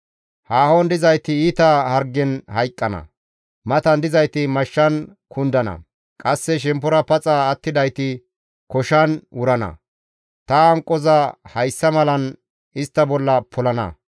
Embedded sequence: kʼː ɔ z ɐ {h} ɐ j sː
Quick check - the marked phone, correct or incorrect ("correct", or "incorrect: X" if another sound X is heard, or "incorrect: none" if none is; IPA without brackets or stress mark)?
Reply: correct